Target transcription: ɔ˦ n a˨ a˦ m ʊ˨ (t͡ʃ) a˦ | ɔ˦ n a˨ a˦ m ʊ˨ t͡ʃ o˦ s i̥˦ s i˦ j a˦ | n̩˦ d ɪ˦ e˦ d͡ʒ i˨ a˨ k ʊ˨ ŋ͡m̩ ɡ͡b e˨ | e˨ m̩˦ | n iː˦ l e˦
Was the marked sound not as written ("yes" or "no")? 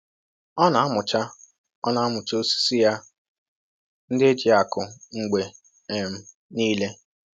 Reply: no